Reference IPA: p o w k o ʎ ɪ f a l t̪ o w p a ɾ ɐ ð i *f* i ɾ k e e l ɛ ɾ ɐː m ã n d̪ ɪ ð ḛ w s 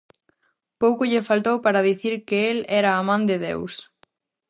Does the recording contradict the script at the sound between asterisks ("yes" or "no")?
yes